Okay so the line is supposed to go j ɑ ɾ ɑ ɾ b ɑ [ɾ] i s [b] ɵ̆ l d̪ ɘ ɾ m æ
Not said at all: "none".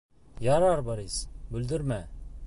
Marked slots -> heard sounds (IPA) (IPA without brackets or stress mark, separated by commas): ɾ, b